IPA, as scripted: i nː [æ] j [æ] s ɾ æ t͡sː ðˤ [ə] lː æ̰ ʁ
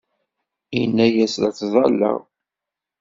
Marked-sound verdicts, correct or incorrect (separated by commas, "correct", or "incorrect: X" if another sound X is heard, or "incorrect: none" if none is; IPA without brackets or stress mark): correct, correct, incorrect: ɑ